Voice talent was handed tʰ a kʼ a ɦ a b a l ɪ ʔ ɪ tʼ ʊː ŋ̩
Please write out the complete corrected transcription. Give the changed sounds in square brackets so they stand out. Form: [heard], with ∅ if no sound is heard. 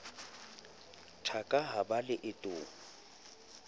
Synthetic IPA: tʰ a kʼ a ɦ a b a l ɪ ʔ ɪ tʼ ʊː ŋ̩